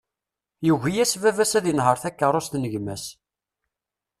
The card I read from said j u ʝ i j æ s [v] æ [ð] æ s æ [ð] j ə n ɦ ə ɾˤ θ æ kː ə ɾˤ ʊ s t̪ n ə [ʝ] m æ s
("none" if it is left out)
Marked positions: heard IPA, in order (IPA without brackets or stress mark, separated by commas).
v, v, ð, ʝ